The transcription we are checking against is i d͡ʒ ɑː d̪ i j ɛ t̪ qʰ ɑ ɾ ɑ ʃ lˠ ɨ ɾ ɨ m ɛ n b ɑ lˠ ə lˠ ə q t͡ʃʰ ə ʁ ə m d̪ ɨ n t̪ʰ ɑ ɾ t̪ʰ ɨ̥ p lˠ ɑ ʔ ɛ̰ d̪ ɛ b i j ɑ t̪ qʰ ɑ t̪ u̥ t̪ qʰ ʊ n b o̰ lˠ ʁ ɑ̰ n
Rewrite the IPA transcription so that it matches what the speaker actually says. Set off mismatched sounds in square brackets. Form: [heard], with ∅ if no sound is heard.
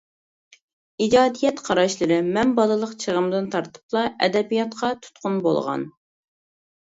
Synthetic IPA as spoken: i d͡ʒ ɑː d̪ i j ɛ t̪ qʰ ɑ ɾ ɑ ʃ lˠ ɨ ɾ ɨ m ɛ n b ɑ lˠ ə lˠ ə q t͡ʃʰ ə ʁ ə m d̪ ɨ n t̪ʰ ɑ ɾ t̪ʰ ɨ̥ p lˠ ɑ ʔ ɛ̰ d̪ ɛ b i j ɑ t̪ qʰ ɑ [t̪ʰ] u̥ t̪ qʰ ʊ n b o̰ lˠ ʁ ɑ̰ n

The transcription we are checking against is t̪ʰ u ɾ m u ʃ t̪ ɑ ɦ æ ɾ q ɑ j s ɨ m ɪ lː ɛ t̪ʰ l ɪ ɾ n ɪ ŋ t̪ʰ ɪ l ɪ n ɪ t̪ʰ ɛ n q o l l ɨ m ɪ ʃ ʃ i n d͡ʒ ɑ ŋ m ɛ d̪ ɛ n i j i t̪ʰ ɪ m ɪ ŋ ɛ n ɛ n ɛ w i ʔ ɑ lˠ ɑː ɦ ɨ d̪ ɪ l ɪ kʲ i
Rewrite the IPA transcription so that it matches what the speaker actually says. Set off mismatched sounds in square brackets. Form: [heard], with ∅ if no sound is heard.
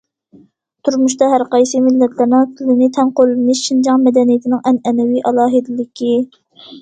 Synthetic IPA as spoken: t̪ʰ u ɾ m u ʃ t̪ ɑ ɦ æ ɾ q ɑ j s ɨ m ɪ lː ɛ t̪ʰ l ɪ ɾ n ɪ ŋ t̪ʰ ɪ l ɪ n ɪ t̪ʰ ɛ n q o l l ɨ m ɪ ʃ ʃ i n d͡ʒ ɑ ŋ m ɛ d̪ ɛ n i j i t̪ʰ ɪ [n] ɪ ŋ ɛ n ɛ n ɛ w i ʔ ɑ lˠ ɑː ɦ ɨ d̪ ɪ l ɪ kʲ i

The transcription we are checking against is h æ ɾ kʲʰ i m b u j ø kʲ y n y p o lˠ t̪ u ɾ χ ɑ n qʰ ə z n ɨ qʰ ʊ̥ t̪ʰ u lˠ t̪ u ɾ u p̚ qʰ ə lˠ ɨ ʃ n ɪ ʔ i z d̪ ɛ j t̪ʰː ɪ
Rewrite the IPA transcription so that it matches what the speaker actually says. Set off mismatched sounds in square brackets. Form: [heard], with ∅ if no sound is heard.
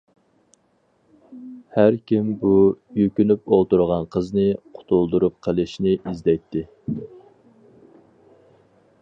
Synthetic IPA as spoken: h æ ɾ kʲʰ i m b u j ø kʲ y n y p o lˠ t̪ u ɾ [ʁ] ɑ n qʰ ə z n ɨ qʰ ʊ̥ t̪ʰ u lˠ [d̪] u ɾ u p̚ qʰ ə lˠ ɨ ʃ n ɪ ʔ i z d̪ ɛ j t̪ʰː ɪ

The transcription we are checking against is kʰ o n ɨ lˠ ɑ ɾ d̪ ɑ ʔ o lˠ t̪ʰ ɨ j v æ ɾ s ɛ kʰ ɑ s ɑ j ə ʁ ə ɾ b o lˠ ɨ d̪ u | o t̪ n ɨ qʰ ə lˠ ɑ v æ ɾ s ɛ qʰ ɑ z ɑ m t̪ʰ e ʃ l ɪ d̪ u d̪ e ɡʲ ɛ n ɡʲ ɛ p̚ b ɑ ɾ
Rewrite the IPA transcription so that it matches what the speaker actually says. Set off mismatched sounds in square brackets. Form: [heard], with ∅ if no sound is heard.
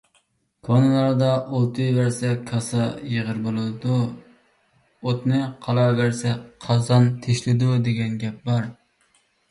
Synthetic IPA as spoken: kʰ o n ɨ lˠ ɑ ɾ d̪ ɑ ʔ o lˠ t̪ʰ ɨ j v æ ɾ s ɛ kʰ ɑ s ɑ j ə ʁ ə ɾ b o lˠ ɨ d̪ u | o t̪ n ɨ qʰ [ɑ] lˠ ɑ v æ ɾ s ɛ qʰ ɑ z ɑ [n] t̪ʰ e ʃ l ɪ d̪ u d̪ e ɡʲ ɛ n ɡʲ ɛ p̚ b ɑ ɾ

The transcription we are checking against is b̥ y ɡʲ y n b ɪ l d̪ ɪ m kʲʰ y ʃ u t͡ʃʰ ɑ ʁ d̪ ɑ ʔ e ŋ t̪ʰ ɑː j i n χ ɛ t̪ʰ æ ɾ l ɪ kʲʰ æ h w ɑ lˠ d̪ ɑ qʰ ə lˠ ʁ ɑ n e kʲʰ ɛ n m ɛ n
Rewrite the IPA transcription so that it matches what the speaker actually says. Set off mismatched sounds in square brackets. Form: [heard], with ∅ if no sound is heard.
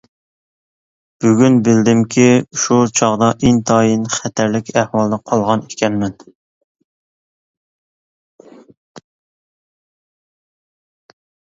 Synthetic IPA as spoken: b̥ y ɡʲ y n b ɪ l d̪ ɪ m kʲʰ [i] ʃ u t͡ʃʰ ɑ ʁ d̪ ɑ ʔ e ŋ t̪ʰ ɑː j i n χ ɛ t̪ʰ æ ɾ l ɪ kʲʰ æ h w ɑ lˠ d̪ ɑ qʰ [ɑ] lˠ ʁ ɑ n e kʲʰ ɛ n m ɛ n

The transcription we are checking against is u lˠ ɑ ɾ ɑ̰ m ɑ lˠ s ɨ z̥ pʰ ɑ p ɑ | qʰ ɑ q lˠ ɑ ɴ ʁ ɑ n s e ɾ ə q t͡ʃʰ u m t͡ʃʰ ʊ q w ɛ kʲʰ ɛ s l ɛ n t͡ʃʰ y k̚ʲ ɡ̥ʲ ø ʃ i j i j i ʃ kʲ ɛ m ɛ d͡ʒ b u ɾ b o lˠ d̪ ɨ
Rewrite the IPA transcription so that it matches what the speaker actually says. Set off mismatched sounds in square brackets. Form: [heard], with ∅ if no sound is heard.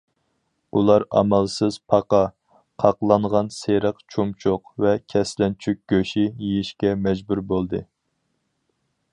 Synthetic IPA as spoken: u lˠ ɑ ɾ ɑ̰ m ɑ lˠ s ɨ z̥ pʰ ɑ [q] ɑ | qʰ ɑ q lˠ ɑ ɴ ʁ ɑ n s e ɾ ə q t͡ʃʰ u m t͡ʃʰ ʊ q [v] ɛ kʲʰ ɛ s l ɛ n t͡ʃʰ y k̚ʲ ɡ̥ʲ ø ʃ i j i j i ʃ kʲ ɛ m ɛ d͡ʒ b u ɾ b o lˠ d̪ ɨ

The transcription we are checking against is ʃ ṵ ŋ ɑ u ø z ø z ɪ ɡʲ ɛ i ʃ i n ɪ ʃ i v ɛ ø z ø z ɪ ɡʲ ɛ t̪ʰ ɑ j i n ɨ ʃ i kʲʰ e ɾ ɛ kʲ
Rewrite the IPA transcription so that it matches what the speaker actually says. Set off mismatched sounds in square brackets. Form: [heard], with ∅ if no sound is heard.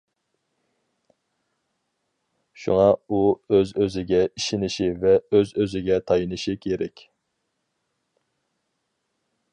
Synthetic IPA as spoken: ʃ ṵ ŋ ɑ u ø z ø z ɪ ɡʲ ɛ i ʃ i n ɪ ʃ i v ɛ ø z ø z ɪ ɡʲ ɛ t̪ʰ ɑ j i n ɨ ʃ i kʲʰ e ɾ ɛ kʲ

